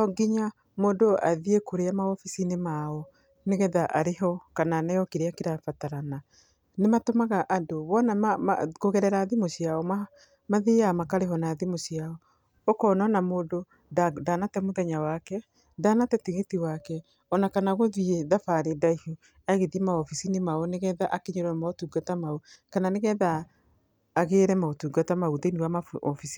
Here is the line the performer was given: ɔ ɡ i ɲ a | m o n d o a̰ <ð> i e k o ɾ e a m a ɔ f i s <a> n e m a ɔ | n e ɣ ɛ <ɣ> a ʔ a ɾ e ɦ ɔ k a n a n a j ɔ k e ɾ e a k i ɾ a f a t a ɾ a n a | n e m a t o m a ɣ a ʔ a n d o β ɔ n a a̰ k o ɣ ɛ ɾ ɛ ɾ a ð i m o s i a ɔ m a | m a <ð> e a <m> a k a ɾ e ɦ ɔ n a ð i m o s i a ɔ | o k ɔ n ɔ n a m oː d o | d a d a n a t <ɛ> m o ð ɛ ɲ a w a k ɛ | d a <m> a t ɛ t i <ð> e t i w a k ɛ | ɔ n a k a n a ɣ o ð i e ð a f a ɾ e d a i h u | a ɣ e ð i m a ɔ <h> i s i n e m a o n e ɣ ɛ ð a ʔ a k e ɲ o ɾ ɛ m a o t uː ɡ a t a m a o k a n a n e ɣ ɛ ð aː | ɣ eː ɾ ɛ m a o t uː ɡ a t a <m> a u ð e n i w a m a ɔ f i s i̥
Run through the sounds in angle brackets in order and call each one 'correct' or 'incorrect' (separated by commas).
correct, incorrect, incorrect, correct, correct, correct, incorrect, incorrect, incorrect, correct